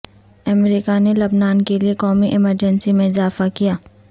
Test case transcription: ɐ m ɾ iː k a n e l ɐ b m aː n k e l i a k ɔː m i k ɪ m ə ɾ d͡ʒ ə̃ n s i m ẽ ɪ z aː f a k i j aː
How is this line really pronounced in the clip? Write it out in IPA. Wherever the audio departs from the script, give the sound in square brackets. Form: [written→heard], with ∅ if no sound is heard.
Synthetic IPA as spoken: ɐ m ɾ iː k a n e l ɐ b [m→n] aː n k e l i [a→e] k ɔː m i [k→ʔ] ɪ m ə ɾ d͡ʒ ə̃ n s i m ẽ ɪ z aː f a k i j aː